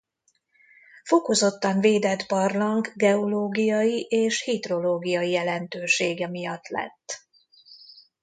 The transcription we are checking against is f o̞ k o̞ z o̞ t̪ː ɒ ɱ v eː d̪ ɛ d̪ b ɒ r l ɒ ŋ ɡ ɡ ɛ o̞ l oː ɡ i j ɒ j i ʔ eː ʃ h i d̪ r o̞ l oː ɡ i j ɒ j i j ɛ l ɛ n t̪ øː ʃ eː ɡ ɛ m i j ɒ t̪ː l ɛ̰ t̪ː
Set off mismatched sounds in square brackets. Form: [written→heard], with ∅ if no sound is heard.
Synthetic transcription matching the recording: f o̞ k o̞ z o̞ t̪ː ɒ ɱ v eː d̪ ɛ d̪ b ɒ r l ɒ ŋ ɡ ɡ ɛ o̞ l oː ɡ i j ɒ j i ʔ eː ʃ h i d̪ r o̞ l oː ɡ i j ɒ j i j ɛ l ɛ n t̪ øː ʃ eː ɡ ɛ m i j ɒ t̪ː l ɛ̰ t̪ː